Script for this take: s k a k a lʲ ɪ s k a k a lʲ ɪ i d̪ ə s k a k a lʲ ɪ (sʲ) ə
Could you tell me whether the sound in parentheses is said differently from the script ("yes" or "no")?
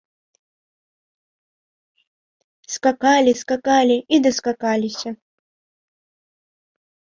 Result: no